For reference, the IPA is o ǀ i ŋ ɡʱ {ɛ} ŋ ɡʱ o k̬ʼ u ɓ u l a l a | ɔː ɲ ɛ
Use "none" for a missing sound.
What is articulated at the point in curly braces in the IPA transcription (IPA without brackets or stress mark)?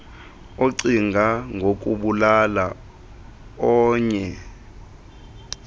a